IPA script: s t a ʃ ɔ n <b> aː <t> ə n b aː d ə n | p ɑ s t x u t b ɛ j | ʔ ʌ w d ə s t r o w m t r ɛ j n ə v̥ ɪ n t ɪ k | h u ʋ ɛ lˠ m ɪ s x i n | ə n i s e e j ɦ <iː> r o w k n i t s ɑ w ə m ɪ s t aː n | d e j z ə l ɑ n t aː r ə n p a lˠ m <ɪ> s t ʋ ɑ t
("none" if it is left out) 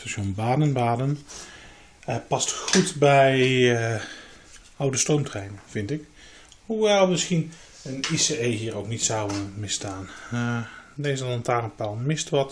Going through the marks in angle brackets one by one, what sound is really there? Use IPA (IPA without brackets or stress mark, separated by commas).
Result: b, d, iː, ɪ